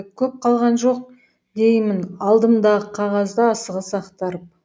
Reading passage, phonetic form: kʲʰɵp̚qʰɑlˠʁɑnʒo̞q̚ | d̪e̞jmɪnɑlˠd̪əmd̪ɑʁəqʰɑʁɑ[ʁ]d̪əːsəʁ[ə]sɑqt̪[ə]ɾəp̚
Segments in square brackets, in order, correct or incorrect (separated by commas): incorrect, correct, incorrect